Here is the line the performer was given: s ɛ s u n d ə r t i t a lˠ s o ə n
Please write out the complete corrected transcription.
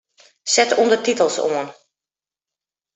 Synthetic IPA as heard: s ɛ t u n d ə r t i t ə lˠ s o ə n